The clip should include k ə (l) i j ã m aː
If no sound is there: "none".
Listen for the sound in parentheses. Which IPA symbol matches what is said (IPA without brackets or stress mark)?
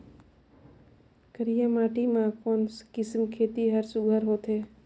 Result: ɾ